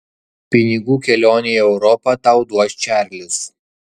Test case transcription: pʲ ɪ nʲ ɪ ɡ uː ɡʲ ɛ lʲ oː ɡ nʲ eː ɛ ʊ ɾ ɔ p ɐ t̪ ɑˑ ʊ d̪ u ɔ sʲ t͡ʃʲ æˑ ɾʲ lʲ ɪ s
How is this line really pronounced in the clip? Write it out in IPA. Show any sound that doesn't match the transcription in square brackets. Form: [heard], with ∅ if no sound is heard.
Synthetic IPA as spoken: pʲ ɪ nʲ ɪ ɡ uː [kʲ] ɛ lʲ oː [∅] nʲ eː ɛ ʊ ɾ ɔ p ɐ t̪ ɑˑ ʊ d̪ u ɔ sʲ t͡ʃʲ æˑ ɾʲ lʲ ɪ s